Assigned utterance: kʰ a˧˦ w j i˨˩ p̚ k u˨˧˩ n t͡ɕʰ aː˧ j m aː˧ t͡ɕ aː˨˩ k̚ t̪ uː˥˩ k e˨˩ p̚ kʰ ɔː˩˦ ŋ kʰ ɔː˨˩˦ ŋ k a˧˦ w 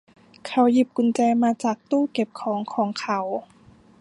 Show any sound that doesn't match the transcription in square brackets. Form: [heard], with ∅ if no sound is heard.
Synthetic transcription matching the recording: kʰ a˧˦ w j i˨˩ p̚ k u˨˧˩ n [t͡ɕ] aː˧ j m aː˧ t͡ɕ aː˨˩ k̚ t̪ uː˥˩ k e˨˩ p̚ kʰ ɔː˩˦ ŋ kʰ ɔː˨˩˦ ŋ [kʰ] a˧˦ w